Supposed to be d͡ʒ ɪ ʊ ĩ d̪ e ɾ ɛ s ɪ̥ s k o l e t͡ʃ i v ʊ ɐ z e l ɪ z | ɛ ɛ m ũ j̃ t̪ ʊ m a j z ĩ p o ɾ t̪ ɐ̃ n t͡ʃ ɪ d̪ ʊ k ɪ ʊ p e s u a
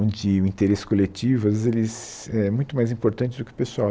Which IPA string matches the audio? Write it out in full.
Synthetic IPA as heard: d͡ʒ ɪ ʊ ĩ t̪ e ɾ e s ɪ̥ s k o l e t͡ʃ i v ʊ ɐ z e l ɪ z | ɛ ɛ m ũ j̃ t̪ ʊ m a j z ĩ p o ɾ t̪ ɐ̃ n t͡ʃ ɪ d̪ ʊ k ɪ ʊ p e s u a

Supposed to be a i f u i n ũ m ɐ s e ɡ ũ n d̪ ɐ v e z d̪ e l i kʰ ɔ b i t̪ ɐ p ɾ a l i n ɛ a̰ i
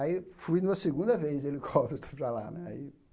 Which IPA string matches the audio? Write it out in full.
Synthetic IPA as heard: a i f u j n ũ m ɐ s e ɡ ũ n d̪ ɐ v e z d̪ e l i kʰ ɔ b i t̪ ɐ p ɾ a l a n ɛ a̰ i

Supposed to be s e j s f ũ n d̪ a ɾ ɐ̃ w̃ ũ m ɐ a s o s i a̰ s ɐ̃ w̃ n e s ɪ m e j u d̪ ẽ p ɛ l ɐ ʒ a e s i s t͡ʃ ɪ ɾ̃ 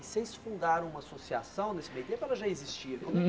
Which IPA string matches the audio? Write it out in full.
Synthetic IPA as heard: s e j s f ũ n d̪ a ɾ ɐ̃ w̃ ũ m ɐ a s o s i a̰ s ɐ̃ w̃ n e s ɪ m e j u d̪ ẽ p ɛ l ɐ ʒ a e z i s t͡ʃ i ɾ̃

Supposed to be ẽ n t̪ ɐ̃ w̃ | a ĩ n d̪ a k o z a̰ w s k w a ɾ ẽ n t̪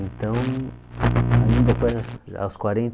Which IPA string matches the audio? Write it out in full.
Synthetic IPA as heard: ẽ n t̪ ɐ̃ w̃ | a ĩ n d̪ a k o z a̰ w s k w a ɾ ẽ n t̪

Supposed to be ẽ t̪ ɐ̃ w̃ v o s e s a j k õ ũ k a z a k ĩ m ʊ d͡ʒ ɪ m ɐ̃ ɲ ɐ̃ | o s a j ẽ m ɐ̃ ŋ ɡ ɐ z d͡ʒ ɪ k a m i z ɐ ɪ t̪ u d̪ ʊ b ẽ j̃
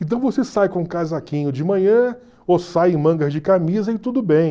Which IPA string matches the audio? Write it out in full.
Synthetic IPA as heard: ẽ t̪ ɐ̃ w̃ v o s e s a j k õ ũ k a z a k ĩ ɲ ʊ d͡ʒ ɪ m ɐ̃ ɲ ɐ̃ | o s a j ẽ m ɐ̃ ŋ ɡ ɐ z d͡ʒ ɪ k a m i z ɐ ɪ t̪ u d̪ ʊ b ẽ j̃

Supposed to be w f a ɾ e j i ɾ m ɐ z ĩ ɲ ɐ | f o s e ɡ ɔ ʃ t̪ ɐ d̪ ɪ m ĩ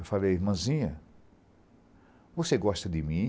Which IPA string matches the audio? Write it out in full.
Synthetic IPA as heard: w f a l e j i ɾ m ɐ̃ z ĩ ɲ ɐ | v o s e ɡ ɔ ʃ t̪ ɐ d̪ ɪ m ĩ

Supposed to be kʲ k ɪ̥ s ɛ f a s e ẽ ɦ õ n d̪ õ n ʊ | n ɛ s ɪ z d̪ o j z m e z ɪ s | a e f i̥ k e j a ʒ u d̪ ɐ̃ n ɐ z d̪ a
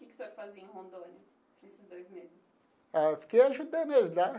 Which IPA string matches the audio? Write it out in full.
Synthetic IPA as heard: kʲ k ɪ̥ s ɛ f a z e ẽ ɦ õ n d̪ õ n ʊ | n e s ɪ z d̪ o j z m e z ɪ s | a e f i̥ k e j a ʒ u d̪ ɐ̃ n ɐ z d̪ a

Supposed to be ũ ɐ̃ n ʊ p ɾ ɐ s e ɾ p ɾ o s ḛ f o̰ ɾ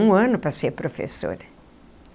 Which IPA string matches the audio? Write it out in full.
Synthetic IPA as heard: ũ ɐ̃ n ʊ p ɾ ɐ s e ɾ p ɾ o f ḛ s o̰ ɾ

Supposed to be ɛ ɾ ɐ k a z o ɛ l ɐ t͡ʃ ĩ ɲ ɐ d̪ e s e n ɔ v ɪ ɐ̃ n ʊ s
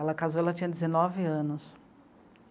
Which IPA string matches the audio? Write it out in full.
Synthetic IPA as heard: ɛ l ɐ k a z o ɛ l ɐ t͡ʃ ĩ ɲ ɐ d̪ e z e n ɔ v ɪ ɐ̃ n ʊ s

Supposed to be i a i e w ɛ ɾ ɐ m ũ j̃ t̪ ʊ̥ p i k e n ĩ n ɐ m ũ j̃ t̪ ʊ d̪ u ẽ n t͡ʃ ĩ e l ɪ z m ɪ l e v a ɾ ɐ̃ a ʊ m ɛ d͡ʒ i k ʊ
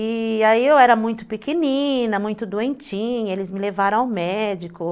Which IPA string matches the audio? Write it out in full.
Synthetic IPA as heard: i a i e w ɛ ɾ ɐ m ũ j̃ t̪ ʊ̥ p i k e n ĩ n ɐ m ũ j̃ t̪ ʊ d̪ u ẽ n t͡ʃ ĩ e l ɪ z m ɪ l e v a ɾ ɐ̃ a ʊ m ɛ d͡ʒ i k ʊ

